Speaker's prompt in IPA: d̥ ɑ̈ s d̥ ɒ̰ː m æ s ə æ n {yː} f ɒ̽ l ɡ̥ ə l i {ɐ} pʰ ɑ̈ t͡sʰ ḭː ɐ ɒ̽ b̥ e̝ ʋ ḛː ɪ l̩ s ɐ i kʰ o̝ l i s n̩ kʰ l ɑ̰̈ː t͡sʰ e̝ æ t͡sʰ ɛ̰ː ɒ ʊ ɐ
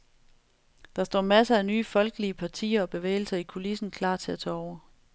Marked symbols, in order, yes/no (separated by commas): yes, no